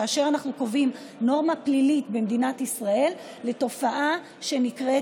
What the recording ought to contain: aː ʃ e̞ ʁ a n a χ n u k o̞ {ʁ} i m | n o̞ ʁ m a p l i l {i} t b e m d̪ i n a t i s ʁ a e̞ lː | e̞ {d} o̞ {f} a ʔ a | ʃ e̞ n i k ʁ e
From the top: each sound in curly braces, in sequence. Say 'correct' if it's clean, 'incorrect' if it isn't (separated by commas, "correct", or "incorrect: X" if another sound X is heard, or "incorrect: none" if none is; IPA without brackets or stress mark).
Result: incorrect: v, correct, incorrect: t, correct